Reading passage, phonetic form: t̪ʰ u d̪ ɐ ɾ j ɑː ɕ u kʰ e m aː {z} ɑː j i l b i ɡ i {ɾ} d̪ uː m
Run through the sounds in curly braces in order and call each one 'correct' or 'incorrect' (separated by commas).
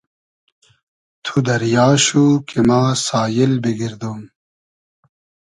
incorrect, correct